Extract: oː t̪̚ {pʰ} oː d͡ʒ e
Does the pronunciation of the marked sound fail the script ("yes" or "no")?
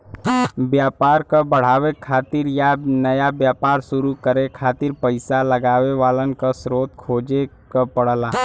yes